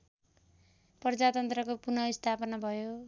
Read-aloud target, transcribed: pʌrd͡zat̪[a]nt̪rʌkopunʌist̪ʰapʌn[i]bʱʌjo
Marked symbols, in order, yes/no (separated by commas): no, no